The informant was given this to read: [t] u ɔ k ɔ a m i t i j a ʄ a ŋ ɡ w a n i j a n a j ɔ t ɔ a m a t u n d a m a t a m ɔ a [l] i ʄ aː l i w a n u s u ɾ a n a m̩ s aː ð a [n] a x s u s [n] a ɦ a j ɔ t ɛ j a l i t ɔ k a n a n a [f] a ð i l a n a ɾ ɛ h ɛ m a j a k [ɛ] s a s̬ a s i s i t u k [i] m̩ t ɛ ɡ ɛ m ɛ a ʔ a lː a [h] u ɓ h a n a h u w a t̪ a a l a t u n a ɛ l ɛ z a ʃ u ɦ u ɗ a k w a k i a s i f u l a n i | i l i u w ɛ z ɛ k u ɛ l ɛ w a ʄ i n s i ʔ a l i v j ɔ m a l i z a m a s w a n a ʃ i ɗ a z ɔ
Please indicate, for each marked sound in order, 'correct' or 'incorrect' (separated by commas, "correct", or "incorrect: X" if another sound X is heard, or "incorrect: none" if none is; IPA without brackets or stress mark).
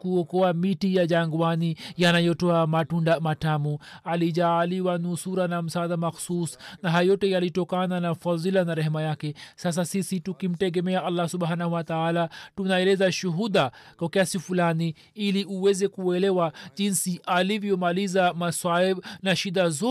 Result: incorrect: k, correct, incorrect: m, correct, correct, correct, correct, incorrect: s